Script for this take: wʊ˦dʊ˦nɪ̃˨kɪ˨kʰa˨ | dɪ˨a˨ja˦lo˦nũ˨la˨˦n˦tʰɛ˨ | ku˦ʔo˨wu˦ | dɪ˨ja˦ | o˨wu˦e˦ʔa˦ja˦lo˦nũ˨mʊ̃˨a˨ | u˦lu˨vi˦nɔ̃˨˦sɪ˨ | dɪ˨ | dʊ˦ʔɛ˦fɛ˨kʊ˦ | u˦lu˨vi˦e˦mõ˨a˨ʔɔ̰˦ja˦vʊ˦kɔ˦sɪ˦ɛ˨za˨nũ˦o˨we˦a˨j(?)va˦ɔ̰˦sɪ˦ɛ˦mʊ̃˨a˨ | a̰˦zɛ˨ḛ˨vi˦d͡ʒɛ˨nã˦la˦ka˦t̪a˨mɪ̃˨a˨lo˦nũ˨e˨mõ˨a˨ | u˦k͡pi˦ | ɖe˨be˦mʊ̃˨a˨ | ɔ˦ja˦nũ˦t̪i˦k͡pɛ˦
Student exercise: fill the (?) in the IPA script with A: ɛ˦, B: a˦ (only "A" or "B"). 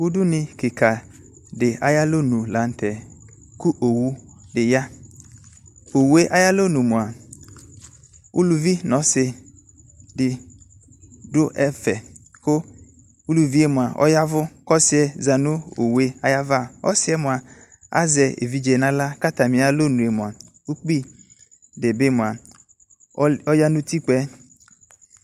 B